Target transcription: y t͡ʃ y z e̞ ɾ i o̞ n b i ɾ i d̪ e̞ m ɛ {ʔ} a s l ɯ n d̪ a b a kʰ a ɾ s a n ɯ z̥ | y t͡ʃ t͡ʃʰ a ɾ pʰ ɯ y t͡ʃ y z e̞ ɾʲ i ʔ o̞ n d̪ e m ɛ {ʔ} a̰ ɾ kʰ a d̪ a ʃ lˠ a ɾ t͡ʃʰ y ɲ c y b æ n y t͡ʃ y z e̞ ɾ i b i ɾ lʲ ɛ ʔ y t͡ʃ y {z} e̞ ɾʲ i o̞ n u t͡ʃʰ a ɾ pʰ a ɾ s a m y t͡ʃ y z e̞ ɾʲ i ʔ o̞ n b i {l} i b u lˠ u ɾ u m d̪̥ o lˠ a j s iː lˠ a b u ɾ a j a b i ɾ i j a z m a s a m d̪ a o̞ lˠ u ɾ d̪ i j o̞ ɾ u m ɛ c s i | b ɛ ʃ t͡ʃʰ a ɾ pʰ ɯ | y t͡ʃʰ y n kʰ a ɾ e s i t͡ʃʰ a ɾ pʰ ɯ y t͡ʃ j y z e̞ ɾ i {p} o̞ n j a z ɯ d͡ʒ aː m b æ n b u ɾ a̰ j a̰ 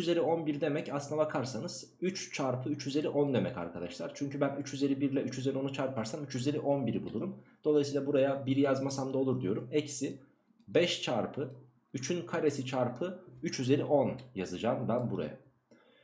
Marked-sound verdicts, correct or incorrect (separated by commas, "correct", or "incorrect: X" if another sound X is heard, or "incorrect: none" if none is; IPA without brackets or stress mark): incorrect: c, incorrect: c, correct, incorrect: ɾ, incorrect: ʔ